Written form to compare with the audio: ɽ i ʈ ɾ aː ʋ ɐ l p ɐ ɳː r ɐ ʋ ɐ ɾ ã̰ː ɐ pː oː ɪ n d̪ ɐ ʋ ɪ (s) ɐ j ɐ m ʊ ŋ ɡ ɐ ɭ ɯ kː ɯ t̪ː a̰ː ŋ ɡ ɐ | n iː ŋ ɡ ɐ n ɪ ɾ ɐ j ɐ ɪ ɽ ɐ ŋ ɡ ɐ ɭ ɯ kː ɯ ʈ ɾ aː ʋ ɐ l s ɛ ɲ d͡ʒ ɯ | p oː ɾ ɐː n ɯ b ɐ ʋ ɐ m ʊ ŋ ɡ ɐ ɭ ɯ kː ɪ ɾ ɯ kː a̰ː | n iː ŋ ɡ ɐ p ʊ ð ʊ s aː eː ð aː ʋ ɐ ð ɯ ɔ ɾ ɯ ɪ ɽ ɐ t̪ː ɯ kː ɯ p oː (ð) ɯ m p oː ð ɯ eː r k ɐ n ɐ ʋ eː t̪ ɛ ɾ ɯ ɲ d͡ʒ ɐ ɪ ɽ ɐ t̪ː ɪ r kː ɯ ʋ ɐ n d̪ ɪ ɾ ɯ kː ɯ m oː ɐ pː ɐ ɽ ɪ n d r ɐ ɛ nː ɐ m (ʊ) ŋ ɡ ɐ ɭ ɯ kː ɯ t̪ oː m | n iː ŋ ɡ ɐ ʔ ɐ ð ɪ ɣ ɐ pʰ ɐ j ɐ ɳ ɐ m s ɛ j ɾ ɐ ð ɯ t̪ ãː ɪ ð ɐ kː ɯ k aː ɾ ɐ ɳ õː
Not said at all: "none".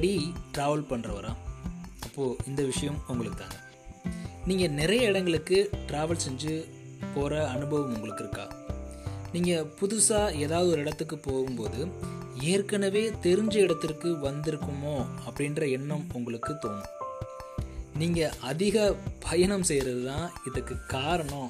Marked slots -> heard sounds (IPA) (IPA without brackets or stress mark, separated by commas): ʂ, ɣ, ʊ